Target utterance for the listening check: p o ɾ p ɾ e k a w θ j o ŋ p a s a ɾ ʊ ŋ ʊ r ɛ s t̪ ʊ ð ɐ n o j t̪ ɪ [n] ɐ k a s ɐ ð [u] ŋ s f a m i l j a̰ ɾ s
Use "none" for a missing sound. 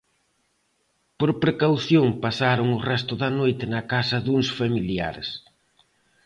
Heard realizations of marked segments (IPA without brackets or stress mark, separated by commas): n, u